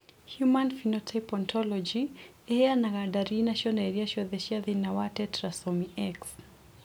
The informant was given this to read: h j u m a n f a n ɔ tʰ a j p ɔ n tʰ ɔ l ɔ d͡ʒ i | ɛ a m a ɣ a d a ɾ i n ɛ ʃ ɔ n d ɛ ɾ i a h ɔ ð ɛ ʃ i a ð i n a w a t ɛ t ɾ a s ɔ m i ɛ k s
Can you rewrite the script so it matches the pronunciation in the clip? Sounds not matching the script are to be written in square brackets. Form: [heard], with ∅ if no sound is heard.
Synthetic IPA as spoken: h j u m a n f [i] n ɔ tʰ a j p ɔ n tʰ ɔ l ɔ d͡ʒ i | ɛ a [n] a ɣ a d a ɾ i n [a] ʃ ɔ n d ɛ ɾ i a [ʃ] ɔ ð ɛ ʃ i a ð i n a w a t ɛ t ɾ a s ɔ m i ɛ k s